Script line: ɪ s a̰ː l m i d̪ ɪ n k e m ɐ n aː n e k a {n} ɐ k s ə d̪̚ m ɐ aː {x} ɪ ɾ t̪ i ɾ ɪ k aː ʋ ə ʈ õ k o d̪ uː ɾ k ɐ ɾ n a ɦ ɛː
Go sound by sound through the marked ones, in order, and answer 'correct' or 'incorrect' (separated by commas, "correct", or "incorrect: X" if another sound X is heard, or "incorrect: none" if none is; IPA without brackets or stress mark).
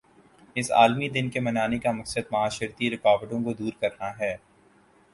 incorrect: m, incorrect: ʃ